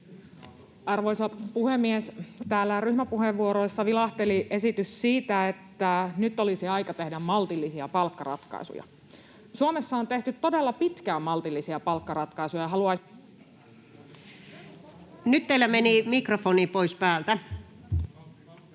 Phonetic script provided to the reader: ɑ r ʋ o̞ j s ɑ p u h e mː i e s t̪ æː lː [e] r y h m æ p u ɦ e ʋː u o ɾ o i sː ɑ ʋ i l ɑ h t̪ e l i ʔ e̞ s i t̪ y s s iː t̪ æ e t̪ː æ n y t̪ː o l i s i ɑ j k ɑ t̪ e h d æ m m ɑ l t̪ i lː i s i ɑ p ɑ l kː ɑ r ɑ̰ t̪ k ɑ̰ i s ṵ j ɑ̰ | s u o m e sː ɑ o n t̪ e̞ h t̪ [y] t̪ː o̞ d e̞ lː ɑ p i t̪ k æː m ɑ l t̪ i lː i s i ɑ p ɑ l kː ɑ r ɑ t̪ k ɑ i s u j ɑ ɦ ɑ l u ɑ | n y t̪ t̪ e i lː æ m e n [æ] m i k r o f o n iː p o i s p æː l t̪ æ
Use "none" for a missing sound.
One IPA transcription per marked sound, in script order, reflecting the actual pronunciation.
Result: æ, y, i

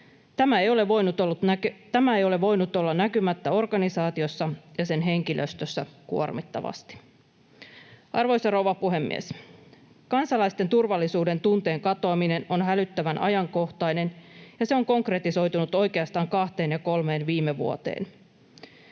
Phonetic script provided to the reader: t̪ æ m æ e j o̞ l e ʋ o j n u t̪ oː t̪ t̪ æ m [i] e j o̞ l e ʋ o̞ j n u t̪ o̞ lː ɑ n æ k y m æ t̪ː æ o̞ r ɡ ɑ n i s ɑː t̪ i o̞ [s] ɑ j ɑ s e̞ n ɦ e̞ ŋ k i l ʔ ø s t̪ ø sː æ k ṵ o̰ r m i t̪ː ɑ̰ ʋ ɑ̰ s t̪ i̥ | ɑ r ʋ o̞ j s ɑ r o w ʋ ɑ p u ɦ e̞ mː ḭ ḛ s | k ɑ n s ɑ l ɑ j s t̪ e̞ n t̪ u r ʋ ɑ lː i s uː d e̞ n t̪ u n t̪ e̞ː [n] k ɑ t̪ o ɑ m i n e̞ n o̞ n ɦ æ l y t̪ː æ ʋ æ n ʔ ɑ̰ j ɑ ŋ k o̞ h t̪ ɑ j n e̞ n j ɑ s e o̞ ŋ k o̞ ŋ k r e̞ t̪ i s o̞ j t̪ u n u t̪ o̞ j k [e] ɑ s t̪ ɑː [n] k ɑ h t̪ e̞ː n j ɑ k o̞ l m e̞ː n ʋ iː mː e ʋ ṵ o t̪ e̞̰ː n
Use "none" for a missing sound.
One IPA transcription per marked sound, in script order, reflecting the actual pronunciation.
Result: æ, sː, ŋ, e, ŋ

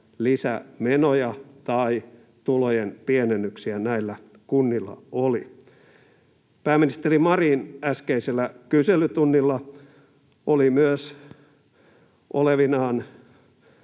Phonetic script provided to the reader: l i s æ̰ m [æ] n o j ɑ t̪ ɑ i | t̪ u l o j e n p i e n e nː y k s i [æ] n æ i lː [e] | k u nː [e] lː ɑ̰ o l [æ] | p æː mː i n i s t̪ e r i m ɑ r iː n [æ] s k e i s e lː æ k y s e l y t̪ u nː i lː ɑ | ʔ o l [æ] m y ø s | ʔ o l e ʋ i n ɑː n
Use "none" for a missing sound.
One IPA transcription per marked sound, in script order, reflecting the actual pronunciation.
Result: e, æ, æ, i, i, æ, i

